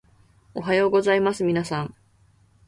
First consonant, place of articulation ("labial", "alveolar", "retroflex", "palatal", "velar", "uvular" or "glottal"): glottal